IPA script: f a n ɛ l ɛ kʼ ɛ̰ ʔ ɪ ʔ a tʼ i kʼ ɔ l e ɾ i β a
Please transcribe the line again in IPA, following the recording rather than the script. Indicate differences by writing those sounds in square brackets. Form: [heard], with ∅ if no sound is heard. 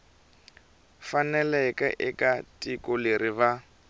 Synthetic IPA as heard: f a n ɛ l ɛ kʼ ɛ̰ ʔ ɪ [k] a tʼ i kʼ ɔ l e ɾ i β a